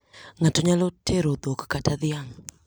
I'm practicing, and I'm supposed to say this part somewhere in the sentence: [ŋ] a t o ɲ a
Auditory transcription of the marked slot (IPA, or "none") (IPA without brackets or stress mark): ŋ